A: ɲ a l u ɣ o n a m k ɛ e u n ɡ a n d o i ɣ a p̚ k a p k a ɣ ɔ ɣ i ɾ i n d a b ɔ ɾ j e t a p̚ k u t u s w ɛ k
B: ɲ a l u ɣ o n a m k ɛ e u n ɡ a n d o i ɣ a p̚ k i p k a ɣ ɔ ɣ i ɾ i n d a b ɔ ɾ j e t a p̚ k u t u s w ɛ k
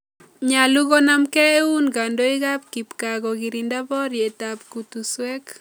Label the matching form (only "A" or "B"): B